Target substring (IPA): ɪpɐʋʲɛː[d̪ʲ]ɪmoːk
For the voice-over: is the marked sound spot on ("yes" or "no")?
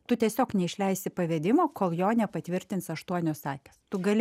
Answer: yes